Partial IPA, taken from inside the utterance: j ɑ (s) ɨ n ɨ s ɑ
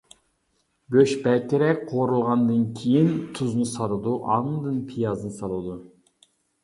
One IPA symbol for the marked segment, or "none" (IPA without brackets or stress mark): z